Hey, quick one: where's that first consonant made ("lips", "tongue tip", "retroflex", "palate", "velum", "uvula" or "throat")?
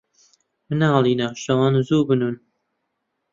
lips